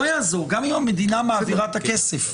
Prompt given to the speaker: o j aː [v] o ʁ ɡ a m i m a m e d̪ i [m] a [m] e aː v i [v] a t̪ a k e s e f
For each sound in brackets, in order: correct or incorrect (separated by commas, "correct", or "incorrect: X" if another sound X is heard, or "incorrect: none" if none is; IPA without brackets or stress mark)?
incorrect: z, incorrect: n, correct, incorrect: ʁ